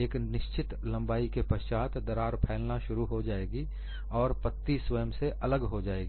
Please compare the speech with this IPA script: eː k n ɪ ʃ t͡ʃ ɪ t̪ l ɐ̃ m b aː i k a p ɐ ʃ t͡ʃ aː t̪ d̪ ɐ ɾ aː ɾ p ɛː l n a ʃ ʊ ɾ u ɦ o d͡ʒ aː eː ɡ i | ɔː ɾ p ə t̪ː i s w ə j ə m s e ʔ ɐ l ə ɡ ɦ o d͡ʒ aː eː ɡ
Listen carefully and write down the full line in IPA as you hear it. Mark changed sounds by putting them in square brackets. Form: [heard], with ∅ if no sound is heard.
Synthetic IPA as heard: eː k n ɪ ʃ t͡ʃ ɪ t̪ l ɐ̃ m b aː i k [e] p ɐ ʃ t͡ʃ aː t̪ d̪ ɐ ɾ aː ɾ [pʰ] ɛː l n a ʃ ʊ ɾ u ɦ o d͡ʒ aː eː ɡ i | ɔː ɾ p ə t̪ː i s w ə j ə m s e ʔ ɐ l ə ɡ ɦ o d͡ʒ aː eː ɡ